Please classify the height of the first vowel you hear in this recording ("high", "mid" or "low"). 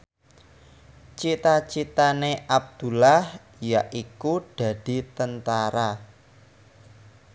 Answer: high